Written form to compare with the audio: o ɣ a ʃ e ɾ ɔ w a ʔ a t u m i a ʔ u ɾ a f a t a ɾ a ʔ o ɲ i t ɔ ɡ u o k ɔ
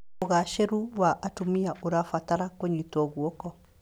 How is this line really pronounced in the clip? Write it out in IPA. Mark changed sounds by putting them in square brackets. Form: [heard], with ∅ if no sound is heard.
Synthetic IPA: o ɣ a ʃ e ɾ [u] w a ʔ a t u m i a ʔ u ɾ a f a t a ɾ a [k] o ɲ i t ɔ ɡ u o k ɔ

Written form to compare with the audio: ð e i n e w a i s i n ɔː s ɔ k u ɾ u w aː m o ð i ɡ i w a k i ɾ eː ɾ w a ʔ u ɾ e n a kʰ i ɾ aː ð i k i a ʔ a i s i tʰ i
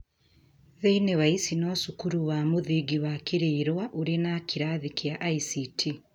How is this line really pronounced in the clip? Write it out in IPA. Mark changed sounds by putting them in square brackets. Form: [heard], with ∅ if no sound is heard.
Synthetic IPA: ð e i n e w a i s i n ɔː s [u] k u ɾ u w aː m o ð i ɡ i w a k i ɾ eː ɾ w a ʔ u ɾ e n a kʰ i ɾ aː ð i k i a ʔ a i s i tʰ i

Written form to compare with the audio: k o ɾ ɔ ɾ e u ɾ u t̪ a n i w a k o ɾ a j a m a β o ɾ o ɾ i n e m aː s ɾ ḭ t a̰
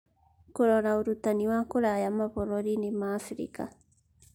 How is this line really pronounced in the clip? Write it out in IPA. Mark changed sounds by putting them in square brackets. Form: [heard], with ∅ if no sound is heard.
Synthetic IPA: k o ɾ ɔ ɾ [a] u ɾ u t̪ a n i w a k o ɾ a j a m a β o ɾ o ɾ i n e m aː [f] ɾ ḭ [k] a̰

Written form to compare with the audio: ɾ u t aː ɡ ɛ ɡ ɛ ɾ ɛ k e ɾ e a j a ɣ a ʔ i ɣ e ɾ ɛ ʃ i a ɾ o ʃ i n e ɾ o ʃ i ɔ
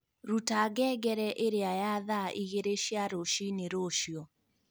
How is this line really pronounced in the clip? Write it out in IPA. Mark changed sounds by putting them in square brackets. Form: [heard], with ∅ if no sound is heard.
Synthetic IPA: ɾ u t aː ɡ ɛ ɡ ɛ ɾ ɛ [ʔ] e ɾ e a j a [ð] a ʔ i ɣ e ɾ [e] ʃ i a ɾ o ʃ i n e ɾ o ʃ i ɔ

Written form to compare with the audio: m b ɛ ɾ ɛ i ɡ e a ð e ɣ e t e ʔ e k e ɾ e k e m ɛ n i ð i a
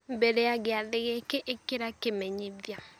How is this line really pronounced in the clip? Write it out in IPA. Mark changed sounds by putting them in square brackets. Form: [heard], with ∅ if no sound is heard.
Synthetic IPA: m b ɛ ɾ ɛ [a] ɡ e a ð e ɣ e [k] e ʔ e k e ɾ [a] k e m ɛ [ɲ] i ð [j] a

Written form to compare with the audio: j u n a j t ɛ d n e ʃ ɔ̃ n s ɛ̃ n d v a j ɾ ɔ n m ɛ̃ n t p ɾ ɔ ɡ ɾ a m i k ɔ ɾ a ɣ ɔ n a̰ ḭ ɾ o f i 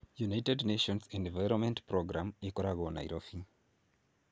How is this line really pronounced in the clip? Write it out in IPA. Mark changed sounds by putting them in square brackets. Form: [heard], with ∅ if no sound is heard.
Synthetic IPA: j u n a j t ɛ d n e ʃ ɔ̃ n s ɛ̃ n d v a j ɾ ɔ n m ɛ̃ n t p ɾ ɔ ɡ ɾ a m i k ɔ ɾ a ɣ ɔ n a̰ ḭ ɾ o f i

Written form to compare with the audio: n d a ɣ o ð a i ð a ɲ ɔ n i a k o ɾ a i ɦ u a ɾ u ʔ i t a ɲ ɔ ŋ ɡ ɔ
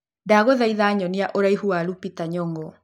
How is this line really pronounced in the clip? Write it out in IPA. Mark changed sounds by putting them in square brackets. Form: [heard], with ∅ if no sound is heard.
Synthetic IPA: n d a ɣ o ð a i ð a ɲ ɔ n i a [ʔ] o ɾ a i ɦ u a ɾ u [p] i t a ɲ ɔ ŋ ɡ ɔ

